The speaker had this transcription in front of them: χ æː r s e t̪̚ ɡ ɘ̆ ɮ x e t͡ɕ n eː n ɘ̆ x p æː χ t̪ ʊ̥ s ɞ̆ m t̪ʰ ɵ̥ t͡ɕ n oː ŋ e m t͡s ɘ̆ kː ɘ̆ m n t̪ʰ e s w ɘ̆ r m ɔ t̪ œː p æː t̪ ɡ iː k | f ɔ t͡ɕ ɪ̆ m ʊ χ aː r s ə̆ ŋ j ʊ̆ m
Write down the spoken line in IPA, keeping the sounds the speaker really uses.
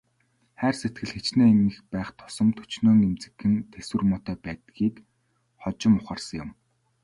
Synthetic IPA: χ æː r s e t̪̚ ɡ ɘ̆ ɮ x e t͡ɕ n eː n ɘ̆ x p æː χ t̪ʰ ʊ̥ s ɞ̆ m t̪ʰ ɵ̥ t͡ɕ n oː ŋ e m t͡s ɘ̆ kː ɘ̆ n t̪ʰ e s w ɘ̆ r m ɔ t̪ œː p æː t̪ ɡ iː k | χ ɔ t͡ɕ ɪ̆ m ʊ χ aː r s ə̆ ŋ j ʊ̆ m